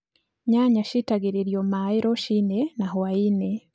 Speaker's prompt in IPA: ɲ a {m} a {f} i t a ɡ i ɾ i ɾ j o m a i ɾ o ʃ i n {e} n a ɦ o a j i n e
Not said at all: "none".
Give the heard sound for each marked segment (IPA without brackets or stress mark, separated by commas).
ɲ, ʃ, e